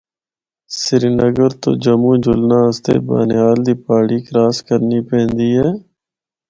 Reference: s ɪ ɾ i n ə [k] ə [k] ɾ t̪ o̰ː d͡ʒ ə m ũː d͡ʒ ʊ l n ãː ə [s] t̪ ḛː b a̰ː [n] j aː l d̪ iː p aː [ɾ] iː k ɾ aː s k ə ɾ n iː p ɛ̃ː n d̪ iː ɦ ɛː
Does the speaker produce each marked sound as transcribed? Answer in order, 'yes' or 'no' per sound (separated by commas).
no, no, yes, yes, no